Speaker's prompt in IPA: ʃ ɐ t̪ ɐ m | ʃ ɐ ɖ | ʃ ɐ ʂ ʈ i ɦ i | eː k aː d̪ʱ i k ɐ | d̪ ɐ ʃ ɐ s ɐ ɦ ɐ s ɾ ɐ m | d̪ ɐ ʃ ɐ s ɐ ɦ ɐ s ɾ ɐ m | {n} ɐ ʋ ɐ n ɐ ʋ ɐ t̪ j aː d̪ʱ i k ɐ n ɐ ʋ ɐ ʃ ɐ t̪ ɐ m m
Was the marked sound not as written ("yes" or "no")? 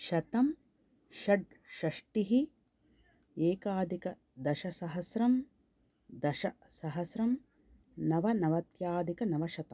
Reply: no